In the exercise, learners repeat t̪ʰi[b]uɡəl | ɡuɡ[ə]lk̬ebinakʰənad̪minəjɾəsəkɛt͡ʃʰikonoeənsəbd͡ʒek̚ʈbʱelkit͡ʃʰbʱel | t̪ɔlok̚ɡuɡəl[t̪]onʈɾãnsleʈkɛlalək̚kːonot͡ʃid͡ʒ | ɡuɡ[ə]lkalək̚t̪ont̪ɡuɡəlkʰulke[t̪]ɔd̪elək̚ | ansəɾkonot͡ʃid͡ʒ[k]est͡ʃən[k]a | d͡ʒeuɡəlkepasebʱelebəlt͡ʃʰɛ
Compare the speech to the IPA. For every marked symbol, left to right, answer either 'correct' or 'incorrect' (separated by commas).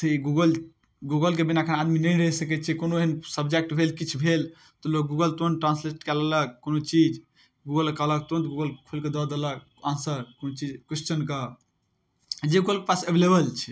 incorrect, correct, correct, correct, incorrect, correct, correct